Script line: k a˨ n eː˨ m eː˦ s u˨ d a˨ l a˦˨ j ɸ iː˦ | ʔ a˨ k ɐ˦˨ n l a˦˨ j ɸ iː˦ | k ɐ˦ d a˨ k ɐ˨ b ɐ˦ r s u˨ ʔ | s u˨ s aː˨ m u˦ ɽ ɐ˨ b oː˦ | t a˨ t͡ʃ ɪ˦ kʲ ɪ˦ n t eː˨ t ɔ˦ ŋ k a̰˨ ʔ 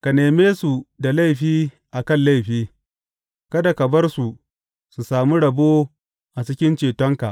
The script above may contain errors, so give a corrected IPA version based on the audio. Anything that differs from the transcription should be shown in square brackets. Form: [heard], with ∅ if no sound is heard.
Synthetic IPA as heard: k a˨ n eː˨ m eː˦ s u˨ d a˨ l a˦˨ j ɸ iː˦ | ʔ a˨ k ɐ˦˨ n l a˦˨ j ɸ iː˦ | k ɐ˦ d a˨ k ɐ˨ b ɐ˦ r s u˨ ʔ | s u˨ s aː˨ m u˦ ɽ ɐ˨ b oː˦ | [ʔ] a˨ t͡ʃ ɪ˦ kʲ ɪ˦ n [t͡ʃ] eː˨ t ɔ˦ ŋ k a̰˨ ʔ

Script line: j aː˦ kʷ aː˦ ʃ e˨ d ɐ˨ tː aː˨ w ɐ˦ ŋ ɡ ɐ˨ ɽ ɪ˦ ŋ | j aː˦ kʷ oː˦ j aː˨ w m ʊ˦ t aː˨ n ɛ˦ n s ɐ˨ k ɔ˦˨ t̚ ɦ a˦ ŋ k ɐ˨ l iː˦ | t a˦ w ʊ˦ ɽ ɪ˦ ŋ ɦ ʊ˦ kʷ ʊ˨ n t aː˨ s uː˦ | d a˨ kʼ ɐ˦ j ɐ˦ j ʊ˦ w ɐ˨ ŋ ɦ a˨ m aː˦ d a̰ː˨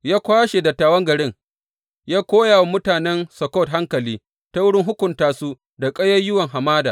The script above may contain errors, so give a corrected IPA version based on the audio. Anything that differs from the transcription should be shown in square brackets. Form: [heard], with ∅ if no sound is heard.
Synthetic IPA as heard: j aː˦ kʷ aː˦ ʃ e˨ d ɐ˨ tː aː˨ w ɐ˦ ŋ ɡ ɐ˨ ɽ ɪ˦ ŋ | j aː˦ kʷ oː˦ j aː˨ w m ʊ˦ t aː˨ n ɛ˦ n s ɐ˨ k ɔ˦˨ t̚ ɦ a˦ ŋ k ɐ˨ l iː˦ | t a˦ w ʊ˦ ɽ ɪ˦ ŋ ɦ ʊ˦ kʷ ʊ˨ n t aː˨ s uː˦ | d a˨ kʼ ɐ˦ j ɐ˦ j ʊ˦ w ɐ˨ ŋ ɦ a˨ m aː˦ d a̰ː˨

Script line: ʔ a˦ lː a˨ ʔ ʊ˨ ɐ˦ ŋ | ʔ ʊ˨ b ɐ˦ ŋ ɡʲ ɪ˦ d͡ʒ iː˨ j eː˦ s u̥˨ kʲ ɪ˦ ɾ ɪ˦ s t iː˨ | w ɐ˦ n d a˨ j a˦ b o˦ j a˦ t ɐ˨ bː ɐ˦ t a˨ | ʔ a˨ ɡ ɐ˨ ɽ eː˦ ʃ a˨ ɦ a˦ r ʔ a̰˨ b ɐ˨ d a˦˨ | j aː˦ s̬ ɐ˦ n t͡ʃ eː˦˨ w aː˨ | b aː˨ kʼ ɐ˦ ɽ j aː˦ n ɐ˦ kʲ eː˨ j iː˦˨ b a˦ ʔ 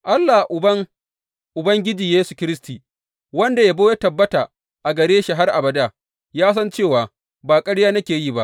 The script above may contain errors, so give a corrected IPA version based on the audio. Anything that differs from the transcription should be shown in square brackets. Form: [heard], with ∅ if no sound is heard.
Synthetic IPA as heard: ʔ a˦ lː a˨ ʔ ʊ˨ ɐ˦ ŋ | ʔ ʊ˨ b ɐ˦ ŋ ɡʲ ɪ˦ d͡ʒ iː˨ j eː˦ s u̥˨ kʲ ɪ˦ ɾ ɪ˦ s t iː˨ | w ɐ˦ n d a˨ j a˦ b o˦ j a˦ t ɐ˨ bː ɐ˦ t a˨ | ʔ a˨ ɡ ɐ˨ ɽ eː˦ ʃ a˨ ɦ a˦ r ʔ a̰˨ b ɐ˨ d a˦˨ | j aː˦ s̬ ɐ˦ n t͡ʃ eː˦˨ w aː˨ | b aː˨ kʼ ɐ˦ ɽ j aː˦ n ɐ˦ kʲ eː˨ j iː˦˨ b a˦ ʔ

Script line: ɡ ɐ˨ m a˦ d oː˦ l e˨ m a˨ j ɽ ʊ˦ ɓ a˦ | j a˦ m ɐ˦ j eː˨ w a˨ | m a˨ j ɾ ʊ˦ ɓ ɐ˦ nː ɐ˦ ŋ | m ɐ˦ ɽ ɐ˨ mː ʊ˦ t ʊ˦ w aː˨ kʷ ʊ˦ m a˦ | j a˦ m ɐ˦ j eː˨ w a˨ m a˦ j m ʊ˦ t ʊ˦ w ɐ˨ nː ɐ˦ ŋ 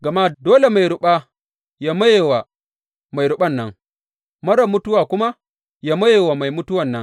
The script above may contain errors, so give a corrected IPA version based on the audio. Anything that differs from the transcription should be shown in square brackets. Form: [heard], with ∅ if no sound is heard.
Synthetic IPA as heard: ɡ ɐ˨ m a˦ d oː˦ l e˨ m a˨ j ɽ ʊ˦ ɓ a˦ | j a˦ m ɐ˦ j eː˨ w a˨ | m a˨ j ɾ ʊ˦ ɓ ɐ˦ nː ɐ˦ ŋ | m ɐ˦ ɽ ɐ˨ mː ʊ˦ t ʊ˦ w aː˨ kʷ ʊ˦ m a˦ | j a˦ m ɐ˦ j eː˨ w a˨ m [a˨] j m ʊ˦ t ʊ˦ w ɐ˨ nː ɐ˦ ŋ

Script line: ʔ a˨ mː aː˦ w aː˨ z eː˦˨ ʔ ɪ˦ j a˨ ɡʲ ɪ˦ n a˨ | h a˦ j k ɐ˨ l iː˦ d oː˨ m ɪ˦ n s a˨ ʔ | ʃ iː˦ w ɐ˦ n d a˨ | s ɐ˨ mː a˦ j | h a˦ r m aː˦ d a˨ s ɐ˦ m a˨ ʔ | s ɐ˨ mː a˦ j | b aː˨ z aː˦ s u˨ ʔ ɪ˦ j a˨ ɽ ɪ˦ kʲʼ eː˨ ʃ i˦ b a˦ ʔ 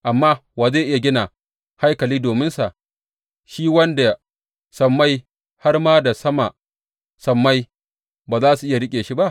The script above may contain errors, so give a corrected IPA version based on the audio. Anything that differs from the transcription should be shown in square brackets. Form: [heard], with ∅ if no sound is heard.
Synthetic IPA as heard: ʔ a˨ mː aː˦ w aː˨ z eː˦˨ ʔ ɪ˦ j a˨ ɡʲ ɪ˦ n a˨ | h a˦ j k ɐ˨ l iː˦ d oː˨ m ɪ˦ n s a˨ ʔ | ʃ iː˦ w ɐ˦ n d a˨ | s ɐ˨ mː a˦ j | h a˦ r m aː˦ d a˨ s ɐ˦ m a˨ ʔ | s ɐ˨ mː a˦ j | b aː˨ z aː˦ s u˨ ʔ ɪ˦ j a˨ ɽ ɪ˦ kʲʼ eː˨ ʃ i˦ b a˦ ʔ

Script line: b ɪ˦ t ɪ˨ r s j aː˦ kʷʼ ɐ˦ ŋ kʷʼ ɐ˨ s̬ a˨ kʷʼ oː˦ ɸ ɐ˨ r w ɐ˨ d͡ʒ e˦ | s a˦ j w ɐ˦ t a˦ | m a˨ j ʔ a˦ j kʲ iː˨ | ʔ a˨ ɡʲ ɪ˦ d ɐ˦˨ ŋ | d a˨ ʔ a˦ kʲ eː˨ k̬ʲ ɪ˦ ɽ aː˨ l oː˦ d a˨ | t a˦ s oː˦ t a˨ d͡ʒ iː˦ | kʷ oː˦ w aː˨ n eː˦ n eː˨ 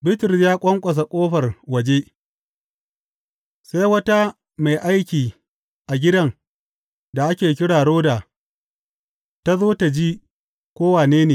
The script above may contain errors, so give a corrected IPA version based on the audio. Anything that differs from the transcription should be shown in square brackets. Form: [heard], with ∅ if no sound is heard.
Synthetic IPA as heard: b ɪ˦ t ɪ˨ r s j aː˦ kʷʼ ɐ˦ ŋ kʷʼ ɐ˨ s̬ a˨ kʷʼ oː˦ ɸ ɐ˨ r w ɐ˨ d͡ʒ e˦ | s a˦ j w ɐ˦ t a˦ | m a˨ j ʔ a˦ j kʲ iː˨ | ʔ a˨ ɡʲ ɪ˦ d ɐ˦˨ ŋ | d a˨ ʔ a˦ kʲ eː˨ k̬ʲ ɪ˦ ɽ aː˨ [ɽ] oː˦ d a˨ | t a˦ [z] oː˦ t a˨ d͡ʒ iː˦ | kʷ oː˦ w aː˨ n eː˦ n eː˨

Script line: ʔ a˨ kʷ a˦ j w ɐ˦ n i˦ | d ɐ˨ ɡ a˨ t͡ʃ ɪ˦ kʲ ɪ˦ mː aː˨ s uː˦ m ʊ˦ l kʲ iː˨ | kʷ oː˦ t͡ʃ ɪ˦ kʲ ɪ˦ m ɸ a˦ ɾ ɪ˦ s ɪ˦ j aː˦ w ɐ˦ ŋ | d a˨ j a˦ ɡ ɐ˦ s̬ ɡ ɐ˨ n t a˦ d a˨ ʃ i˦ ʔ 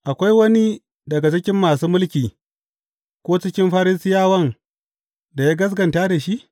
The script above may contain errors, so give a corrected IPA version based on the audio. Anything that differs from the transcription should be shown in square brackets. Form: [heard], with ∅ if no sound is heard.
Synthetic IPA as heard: ʔ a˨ kʷ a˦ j w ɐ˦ n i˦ | d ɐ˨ ɡ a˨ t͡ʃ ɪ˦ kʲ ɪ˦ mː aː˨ s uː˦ m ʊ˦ l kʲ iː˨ | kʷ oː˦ t͡ʃ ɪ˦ kʲ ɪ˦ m ɸ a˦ ɾ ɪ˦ s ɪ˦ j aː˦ w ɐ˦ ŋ | d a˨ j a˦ ɡ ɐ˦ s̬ ɡ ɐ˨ n t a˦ d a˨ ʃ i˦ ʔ

